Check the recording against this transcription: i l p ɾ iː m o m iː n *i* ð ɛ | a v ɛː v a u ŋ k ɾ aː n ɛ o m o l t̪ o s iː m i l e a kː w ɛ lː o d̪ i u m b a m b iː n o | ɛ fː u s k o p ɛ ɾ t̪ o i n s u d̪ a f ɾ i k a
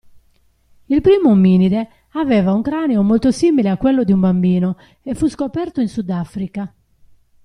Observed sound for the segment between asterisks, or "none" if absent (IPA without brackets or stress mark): i